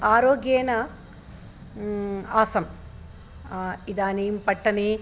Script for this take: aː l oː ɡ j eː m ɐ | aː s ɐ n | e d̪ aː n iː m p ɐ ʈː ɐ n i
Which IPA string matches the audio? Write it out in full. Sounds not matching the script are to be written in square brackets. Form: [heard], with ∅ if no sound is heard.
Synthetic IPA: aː [ɾ] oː ɡ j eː [n] ɐ | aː s ɐ [m] | [i] d̪ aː n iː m p ɐ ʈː ɐ n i